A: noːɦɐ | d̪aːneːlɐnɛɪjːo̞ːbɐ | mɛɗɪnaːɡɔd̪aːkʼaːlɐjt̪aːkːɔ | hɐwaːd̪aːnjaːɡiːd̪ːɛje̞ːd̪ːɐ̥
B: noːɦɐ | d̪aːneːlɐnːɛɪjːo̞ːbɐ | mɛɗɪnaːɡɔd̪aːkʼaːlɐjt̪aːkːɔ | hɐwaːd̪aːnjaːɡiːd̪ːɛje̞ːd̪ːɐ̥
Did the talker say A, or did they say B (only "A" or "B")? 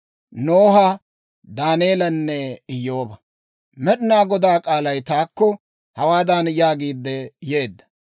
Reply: B